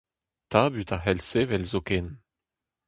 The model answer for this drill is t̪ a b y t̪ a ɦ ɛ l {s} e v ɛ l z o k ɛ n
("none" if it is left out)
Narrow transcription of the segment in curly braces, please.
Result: s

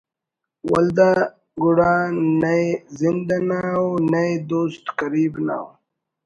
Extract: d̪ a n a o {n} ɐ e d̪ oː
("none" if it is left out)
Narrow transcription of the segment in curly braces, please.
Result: n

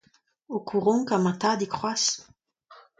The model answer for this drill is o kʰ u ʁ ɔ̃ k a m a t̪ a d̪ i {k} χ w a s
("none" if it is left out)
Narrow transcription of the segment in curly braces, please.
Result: k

